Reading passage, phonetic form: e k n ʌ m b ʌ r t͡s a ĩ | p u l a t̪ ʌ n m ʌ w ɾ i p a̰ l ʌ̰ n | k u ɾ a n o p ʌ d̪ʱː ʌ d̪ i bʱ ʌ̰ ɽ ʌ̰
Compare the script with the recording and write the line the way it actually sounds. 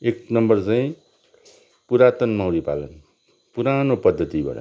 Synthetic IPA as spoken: e k n ʌ m b ʌ r t͡s a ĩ | p u ɾ a t̪ ʌ n m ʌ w ɾ i p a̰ l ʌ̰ n | p u ɾ a n o p ʌ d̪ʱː ʌ t̪ i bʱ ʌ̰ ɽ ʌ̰